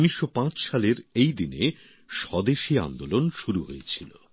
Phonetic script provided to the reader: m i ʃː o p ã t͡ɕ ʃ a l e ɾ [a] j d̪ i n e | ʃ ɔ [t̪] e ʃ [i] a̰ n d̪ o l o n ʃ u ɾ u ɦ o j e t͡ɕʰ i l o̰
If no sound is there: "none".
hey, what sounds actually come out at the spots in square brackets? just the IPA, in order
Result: e, d̪, i

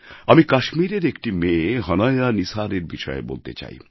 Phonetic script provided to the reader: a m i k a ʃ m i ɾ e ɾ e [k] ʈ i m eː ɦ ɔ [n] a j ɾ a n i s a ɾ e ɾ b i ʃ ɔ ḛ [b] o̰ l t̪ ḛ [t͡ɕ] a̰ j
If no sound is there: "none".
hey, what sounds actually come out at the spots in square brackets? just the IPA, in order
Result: k, n, b, t͡ɕ

